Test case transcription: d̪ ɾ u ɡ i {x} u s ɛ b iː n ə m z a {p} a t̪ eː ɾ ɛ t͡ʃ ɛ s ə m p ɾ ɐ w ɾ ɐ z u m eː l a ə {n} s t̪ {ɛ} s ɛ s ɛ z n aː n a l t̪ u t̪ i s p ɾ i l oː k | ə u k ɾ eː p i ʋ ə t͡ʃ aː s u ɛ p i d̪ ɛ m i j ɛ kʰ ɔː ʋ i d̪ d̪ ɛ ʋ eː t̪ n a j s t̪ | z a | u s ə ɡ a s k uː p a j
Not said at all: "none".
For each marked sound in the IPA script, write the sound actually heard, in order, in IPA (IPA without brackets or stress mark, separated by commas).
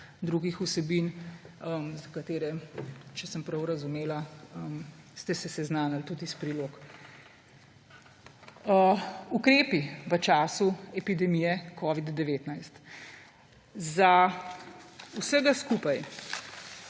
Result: x, k, m, ɛ